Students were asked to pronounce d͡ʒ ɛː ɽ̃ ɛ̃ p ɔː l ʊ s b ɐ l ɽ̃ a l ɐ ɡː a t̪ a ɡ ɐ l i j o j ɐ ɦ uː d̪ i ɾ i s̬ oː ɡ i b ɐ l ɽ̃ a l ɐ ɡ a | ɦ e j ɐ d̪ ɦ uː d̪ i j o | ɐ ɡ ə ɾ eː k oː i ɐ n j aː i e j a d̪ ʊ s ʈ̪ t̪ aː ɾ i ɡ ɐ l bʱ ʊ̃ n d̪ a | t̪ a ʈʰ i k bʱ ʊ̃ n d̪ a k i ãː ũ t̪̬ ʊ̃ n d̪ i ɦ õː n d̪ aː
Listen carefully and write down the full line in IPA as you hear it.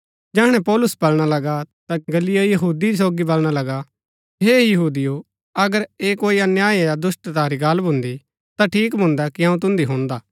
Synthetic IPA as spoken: d͡ʒ ɛː ɽ̃ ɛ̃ p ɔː l ʊ s b ɐ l ɽ̃ a l ɐ ɡ a t̪ a ɡ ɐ l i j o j ɐ ɦ uː d̪ i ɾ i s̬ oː ɡ i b ɐ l ɽ̃ a l ɐ ɡ a | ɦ e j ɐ ɦ uː d̪ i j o | ɐ ɡ ə ɾ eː k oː i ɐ n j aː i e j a d̪ ʊ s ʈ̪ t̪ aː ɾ i ɡ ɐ l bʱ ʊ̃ n d̪ i | t̪ a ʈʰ iː k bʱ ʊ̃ n d̪ a k i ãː ũ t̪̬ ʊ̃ n d̪ i ɦ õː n d̪ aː

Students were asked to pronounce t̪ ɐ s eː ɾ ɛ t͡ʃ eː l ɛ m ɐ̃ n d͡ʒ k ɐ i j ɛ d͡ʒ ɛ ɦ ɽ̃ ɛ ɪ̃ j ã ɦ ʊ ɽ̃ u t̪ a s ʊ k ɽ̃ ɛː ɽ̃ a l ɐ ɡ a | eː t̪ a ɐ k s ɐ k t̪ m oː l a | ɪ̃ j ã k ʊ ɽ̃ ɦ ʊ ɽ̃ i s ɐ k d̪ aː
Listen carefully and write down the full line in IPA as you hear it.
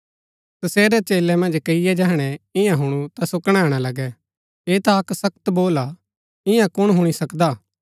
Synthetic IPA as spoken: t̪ ɐ s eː ɾ ɛ t͡ʃ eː l ɛ m ɐ̃ n d͡ʒ k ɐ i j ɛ d͡ʒ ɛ ɦ ɽ̃ ɛ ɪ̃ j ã ɦ ʊ ɽ̃ u t̪ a s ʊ k ɽ̃ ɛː ɽ̃ a l ɐ ɡ ɛ | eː t̪ a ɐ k s ɐ k t̪ b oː l a | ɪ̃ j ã k ʊ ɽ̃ ɦ ʊ ɽ̃ i s ɐ k d̪ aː

